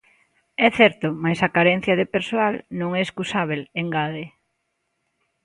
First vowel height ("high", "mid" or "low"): mid